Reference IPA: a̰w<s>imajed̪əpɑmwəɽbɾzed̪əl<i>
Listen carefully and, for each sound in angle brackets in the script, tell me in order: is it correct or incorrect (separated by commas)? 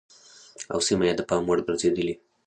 correct, correct